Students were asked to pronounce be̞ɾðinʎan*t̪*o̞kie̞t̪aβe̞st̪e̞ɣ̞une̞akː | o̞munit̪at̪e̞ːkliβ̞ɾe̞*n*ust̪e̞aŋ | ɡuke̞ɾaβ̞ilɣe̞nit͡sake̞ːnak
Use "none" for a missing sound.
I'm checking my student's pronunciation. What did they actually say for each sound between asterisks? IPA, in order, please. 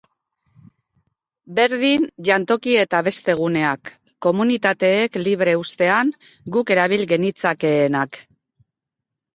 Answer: t̪, none

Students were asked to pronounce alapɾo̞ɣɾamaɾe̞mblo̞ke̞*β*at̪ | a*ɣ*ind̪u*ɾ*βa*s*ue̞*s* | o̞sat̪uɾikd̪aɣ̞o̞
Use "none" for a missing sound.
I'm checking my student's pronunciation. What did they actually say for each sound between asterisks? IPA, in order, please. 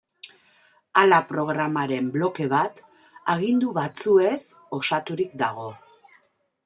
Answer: β, ɣ, none, t͡s, s

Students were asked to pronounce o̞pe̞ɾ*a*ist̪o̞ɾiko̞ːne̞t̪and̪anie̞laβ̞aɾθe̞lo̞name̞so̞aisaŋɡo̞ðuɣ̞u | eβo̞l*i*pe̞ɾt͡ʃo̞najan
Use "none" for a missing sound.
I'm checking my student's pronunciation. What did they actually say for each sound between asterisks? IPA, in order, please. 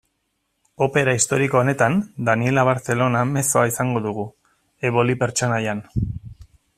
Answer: a, i

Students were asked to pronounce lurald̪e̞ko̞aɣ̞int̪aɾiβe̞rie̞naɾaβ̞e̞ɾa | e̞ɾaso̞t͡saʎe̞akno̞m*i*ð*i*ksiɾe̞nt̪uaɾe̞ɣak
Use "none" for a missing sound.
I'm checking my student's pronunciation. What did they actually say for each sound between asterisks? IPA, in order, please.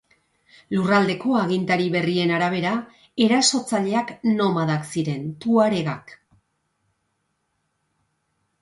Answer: a, a

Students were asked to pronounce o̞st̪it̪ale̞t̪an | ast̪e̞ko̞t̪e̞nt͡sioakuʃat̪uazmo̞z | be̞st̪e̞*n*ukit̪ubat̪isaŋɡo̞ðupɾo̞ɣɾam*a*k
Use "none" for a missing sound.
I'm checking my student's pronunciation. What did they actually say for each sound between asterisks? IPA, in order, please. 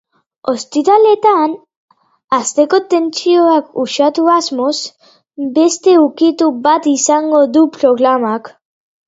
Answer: none, a

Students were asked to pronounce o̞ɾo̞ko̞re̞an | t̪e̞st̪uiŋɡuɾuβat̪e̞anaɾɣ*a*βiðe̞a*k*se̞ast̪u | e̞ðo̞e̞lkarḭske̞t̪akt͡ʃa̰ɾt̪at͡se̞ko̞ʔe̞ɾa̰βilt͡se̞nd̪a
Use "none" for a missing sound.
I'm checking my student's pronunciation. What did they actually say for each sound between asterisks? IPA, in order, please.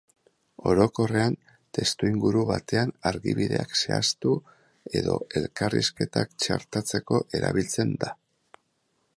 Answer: i, k

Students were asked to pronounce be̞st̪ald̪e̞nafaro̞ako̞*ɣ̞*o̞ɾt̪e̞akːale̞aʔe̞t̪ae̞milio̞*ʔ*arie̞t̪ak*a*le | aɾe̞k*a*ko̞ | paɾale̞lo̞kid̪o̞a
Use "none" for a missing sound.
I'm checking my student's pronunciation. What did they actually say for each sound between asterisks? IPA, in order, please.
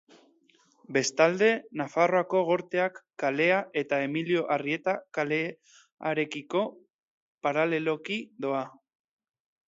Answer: ɣ̞, ʔ, a, i

